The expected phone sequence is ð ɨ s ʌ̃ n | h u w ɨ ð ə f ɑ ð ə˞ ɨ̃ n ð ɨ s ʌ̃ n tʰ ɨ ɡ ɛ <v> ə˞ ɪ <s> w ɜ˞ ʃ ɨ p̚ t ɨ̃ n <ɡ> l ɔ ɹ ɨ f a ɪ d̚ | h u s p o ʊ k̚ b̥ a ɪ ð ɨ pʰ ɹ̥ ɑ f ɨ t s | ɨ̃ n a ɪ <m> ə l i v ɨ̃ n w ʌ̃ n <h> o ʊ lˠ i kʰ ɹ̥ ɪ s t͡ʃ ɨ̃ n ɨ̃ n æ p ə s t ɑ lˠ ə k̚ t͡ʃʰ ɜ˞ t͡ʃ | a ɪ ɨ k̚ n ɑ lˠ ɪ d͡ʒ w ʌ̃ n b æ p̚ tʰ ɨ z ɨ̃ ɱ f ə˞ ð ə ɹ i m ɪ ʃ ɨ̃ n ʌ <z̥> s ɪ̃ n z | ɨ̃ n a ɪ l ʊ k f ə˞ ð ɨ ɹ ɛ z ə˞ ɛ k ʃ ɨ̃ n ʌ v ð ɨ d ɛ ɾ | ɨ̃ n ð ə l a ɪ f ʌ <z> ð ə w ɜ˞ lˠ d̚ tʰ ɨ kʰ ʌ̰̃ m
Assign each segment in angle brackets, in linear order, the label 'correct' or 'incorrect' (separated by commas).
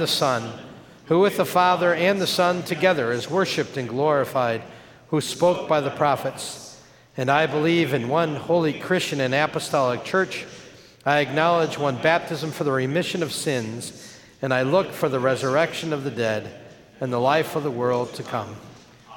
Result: incorrect, incorrect, correct, incorrect, correct, incorrect, incorrect